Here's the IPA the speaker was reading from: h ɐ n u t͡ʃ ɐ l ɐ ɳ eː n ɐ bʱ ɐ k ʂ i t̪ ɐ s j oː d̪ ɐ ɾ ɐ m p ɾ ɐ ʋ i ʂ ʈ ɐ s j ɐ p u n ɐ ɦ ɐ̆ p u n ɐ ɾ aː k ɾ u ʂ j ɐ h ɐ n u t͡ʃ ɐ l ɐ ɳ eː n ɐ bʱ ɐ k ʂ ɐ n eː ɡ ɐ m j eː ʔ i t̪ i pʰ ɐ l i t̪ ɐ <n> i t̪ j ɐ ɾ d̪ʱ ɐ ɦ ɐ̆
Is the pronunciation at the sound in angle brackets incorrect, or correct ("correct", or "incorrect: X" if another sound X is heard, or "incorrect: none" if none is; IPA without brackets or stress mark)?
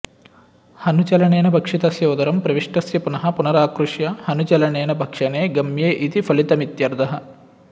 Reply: incorrect: m